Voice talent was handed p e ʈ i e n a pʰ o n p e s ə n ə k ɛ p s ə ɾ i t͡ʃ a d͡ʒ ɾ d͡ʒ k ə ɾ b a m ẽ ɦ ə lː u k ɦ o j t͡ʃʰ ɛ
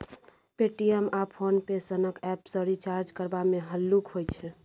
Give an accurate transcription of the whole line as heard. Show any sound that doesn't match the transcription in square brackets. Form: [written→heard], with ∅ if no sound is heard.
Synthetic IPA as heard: p e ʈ i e [n→m] a pʰ o n p e s ə n ə k ɛ p s ə ɾ i t͡ʃ a [d͡ʒ→∅] ɾ d͡ʒ k ə ɾ b a m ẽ ɦ ə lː u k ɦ o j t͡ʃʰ ɛ